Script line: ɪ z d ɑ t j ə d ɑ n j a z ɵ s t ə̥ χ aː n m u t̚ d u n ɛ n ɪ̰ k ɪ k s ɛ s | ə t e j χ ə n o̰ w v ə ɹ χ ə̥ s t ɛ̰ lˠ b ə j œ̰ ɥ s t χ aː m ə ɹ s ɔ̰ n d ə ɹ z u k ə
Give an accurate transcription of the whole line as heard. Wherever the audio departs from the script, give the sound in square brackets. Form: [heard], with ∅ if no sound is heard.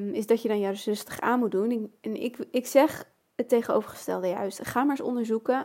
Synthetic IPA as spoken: ɪ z d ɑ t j ə d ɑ n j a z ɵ s t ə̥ χ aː n m u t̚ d u n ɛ n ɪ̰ k ɪ k s ɛ [χ] | ə t e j χ ə n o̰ w v ə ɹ χ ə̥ s t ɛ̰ lˠ [d] ə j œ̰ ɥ s t χ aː m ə ɹ s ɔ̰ n d ə ɹ z u k ə